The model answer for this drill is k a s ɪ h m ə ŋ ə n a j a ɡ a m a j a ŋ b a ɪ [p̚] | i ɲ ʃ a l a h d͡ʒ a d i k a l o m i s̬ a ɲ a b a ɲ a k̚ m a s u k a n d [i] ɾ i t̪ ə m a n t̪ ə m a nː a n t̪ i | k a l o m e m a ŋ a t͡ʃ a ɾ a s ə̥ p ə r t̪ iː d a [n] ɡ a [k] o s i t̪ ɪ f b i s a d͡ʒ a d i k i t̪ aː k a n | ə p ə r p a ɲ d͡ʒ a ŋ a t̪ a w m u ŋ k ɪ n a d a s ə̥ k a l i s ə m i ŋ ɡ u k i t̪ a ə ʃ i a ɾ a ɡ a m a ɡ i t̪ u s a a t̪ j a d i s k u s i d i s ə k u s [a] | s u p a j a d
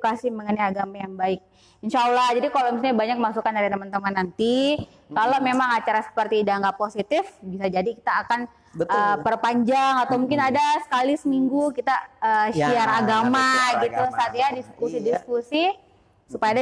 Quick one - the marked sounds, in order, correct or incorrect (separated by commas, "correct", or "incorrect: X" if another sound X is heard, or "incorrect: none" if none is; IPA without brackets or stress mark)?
incorrect: k̚, incorrect: a, incorrect: ŋ, incorrect: p, incorrect: i